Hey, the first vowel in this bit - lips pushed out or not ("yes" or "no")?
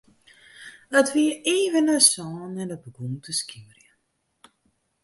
no